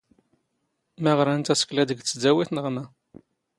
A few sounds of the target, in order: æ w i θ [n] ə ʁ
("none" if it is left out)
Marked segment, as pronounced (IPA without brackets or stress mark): n